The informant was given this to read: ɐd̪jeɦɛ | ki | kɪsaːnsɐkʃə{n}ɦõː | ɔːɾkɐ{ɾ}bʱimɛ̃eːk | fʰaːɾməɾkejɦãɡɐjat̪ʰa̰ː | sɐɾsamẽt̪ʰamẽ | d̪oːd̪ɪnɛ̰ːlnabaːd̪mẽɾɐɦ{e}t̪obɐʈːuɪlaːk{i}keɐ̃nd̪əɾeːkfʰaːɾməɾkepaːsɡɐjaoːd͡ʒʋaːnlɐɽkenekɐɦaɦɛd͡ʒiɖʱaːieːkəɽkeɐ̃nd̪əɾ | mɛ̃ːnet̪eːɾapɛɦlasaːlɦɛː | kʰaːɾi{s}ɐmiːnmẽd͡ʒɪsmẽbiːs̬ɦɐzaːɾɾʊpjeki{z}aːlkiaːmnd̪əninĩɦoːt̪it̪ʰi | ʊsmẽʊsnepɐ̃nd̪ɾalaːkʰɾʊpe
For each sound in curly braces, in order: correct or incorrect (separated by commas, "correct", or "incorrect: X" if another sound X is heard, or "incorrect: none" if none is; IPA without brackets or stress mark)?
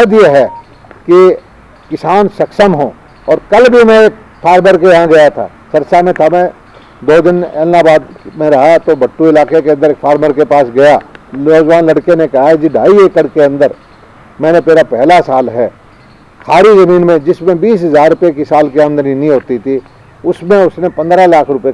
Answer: incorrect: m, incorrect: l, incorrect: a, incorrect: e, incorrect: z, incorrect: s